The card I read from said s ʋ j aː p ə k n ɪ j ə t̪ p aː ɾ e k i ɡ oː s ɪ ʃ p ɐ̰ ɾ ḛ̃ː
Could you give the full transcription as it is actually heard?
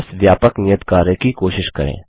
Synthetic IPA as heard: s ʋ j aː p ə k n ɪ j ə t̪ k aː ɾ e k i k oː ʃ ɪ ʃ k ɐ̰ ɾ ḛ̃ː